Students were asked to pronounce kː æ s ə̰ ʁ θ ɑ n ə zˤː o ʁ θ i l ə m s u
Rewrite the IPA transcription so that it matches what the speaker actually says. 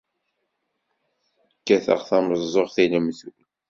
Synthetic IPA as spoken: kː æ θ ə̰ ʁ θ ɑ m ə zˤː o ʁ θ i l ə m θ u